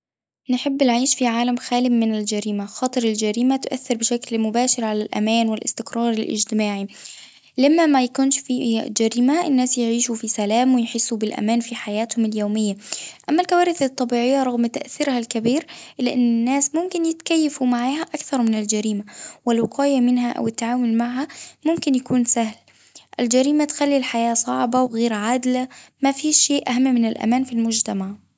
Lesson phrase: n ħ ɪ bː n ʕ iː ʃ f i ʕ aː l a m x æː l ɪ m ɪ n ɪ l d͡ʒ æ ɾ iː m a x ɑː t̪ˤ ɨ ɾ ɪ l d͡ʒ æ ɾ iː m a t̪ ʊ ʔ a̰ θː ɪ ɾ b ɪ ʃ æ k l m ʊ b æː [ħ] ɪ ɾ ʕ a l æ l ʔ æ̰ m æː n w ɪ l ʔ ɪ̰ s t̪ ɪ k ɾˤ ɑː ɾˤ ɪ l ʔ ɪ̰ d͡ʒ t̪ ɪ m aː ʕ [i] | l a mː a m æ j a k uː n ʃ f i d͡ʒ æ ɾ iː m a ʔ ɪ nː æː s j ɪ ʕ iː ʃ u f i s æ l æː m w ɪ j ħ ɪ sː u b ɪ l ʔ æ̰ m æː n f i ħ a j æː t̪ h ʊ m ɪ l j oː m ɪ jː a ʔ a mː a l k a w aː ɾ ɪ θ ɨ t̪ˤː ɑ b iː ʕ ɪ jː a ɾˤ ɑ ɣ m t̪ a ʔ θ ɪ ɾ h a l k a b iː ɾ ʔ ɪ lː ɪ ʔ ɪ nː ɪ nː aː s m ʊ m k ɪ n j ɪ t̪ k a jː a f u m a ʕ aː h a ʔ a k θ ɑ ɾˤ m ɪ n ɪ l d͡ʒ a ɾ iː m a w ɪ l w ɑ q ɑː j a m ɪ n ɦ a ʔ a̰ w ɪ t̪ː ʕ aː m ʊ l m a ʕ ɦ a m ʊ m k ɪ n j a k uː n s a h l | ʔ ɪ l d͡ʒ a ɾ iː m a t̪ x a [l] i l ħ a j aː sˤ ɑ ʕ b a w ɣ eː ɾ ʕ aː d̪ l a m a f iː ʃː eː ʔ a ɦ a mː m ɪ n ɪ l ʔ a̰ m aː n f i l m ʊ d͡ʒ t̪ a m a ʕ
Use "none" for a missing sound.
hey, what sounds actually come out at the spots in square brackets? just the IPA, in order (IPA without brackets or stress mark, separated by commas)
ʃ, i, lː